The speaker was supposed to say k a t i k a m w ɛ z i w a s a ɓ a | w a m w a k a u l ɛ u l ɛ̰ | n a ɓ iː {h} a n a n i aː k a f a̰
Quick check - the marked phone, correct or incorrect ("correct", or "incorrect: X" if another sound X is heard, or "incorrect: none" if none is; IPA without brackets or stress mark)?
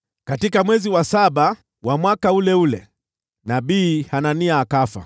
correct